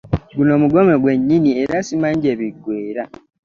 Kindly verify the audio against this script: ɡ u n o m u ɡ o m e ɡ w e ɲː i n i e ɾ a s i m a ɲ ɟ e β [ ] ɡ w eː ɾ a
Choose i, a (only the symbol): i